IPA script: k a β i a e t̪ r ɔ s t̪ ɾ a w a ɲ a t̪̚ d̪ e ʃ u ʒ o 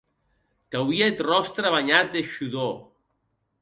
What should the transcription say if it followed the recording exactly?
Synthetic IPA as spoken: k a w i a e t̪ r ɔ s t̪ ɾ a β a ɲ a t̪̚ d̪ e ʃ u ð o